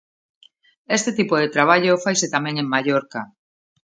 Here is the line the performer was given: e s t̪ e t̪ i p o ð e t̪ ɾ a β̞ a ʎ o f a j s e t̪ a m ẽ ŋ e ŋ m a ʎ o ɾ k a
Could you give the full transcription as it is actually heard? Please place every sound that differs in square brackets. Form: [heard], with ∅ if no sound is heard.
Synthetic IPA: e s t̪ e t̪ i p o ð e t̪ ɾ a β̞ a ʎ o f a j s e t̪ a m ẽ ŋ e ŋ m a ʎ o ɾ k a